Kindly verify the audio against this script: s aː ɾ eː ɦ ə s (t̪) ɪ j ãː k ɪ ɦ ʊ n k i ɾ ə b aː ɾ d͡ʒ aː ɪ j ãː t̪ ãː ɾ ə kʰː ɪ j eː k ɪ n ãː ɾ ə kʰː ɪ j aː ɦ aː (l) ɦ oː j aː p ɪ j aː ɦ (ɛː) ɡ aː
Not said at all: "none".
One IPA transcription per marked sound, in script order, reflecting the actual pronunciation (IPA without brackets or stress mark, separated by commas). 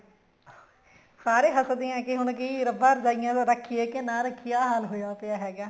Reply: d̪, l, ɛː